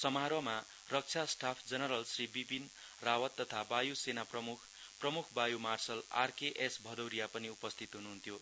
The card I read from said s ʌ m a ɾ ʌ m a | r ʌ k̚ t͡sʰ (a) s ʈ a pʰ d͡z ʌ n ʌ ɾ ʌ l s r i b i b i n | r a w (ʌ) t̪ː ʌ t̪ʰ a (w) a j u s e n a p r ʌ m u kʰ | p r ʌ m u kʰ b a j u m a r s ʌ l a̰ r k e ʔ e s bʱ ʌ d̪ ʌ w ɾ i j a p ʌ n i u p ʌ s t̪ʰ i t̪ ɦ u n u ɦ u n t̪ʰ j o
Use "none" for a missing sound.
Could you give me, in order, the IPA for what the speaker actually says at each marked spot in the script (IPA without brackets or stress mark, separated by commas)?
a, ʌ, b